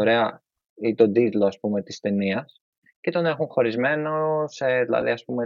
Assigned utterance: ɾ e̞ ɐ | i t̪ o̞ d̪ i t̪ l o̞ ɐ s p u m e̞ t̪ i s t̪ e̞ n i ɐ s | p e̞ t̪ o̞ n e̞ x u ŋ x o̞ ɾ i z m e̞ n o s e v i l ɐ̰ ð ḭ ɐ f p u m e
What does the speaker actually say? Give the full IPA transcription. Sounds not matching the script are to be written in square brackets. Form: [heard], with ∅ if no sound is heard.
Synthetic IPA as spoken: ɾ e̞ ɐ | i t̪ o̞ d̪ i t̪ l o̞ ɐ s p u m e̞ t̪ i s t̪ e̞ n i ɐ s | [c] e̞ t̪ o̞ n e̞ x u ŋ x o̞ ɾ i z m e̞ n o s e [ð] i l ɐ̰ ð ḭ ɐ [s] p u m e